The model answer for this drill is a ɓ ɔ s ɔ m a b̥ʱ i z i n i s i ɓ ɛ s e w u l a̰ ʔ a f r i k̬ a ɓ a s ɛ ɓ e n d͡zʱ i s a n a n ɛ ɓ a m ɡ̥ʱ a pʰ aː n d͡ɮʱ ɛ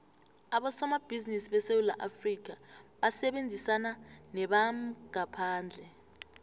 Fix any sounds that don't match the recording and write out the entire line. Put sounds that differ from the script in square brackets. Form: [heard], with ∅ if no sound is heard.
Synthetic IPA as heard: a ɓ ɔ s ɔ m a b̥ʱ i z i n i s i ɓ ɛ s e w u l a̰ ʔ a f r i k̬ a ɓ a s ɛ ɓ e n d͡zʱ i s a n a n ɛ ɓ a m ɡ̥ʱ a pʰ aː n d͡ɮʱ ɛ